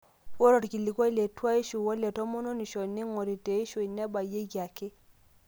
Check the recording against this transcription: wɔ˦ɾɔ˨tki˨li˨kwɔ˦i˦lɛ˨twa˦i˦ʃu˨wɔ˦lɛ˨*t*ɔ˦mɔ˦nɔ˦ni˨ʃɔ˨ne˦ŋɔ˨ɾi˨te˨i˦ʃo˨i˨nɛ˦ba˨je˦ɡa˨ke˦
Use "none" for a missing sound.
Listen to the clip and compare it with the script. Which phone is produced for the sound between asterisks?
t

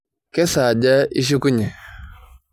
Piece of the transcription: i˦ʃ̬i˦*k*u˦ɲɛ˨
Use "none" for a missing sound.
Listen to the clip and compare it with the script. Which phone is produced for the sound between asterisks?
k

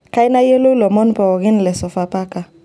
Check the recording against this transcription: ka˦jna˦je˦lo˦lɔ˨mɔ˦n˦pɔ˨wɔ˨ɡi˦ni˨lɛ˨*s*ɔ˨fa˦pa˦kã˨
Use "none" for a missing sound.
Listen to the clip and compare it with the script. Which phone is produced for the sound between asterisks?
s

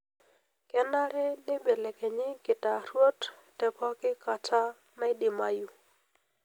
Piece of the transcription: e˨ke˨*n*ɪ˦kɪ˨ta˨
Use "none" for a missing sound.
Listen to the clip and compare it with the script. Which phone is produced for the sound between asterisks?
ɲ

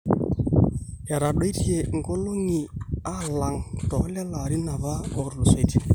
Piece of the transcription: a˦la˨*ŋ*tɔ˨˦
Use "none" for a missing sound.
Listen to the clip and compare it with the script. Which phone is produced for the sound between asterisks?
ŋ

